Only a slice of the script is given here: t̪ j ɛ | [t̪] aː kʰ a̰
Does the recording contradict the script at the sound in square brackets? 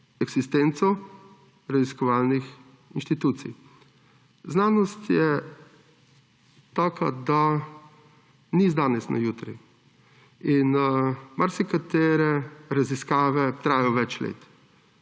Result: no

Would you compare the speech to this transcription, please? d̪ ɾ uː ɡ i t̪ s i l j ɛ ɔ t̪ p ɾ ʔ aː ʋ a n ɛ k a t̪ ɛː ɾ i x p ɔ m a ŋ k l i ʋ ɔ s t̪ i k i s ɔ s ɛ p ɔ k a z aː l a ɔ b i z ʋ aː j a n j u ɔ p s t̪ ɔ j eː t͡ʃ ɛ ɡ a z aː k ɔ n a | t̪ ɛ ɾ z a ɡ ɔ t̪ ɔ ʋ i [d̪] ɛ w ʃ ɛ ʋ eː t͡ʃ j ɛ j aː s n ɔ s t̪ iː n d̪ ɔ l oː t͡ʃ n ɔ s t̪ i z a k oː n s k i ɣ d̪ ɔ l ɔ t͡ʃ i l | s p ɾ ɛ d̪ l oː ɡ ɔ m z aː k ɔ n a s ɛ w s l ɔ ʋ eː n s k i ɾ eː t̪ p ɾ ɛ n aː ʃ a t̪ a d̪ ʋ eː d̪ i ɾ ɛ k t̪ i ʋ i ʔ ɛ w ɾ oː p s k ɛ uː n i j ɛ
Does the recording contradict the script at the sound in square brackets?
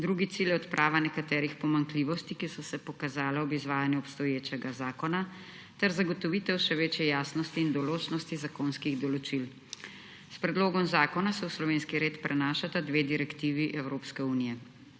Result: yes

